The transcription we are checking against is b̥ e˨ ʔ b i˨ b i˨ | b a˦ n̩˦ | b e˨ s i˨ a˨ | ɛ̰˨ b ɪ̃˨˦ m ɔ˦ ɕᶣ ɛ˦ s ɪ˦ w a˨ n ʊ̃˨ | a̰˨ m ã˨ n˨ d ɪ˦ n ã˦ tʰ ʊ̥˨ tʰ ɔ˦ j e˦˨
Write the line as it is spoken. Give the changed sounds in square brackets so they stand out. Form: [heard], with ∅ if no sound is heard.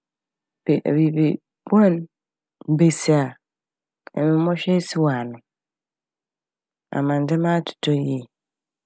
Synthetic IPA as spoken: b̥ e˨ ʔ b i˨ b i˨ | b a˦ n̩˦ | b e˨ s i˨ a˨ | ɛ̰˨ [m] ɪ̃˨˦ m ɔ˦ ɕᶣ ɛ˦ s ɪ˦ w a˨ n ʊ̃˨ | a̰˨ m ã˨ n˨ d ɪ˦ [m] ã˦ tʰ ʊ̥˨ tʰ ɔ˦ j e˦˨